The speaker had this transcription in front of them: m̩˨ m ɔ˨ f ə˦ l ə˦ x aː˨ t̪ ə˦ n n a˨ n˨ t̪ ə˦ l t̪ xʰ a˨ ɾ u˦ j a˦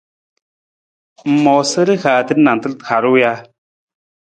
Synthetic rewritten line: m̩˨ m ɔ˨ s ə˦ ɾ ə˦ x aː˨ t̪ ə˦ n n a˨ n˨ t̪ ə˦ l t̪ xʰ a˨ ɾ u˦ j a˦